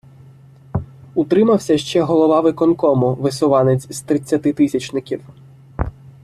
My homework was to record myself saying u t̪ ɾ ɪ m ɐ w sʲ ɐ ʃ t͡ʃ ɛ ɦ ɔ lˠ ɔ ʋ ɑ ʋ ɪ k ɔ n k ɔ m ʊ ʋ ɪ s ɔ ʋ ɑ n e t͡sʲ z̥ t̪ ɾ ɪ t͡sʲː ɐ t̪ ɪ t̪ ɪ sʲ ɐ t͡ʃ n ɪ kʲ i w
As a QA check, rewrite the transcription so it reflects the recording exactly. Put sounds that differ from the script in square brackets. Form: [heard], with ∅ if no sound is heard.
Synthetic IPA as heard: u t̪ ɾ ɪ m ɐ w sʲ ɐ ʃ t͡ʃ ɛ ɦ ɔ lˠ ɔ ʋ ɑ ʋ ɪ k ɔ n k ɔ m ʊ ʋ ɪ s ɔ ʋ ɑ n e t͡sʲ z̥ t̪ ɾ ɪ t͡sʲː ɐ t̪ ɪ t̪ ɪ sʲ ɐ t͡ʃ n ɪ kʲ i w

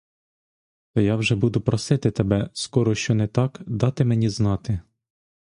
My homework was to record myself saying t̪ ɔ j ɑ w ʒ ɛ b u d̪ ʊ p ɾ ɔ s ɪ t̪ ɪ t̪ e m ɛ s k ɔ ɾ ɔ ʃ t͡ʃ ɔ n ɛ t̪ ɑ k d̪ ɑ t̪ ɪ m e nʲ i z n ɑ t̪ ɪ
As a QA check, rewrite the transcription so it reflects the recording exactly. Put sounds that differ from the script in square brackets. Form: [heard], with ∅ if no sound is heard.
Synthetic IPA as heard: t̪ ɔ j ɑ w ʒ ɛ b u d̪ ʊ p ɾ ɔ s ɪ t̪ ɪ t̪ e [b] ɛ s k ɔ ɾ ɔ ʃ t͡ʃ ɔ n ɛ t̪ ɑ k d̪ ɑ t̪ ɪ m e nʲ i z n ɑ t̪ ɪ

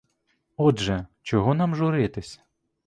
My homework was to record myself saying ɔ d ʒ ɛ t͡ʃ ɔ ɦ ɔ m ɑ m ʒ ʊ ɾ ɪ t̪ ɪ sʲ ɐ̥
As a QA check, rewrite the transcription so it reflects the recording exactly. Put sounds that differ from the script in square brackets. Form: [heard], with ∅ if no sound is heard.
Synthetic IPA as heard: ɔ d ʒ ɛ t͡ʃ ɔ ɦ ɔ [n] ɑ m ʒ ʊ ɾ ɪ t̪ ɪ sʲ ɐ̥

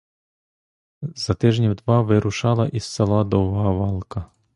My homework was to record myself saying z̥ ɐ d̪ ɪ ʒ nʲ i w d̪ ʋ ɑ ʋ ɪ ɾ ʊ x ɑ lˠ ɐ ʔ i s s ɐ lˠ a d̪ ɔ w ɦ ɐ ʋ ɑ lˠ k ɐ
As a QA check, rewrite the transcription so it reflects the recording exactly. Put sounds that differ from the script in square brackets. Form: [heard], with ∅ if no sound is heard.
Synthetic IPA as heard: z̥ ɐ [t̪] ɪ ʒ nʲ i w d̪ ʋ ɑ ʋ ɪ ɾ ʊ [ʃ] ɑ lˠ ɐ ʔ i s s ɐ lˠ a d̪ ɔ w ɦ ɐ ʋ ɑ lˠ k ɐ

